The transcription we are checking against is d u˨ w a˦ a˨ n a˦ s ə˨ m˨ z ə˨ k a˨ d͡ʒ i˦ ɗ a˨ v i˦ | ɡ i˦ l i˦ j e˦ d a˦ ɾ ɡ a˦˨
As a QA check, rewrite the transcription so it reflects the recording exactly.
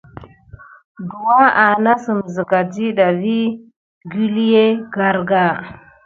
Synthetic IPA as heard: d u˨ w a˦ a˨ n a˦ s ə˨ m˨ z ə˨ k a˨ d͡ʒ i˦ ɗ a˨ v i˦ | ɡ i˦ l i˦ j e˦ ɡ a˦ ɾ ɡ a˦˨